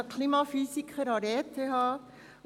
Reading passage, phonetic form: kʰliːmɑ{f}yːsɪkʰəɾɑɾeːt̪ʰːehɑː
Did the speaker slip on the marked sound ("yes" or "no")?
no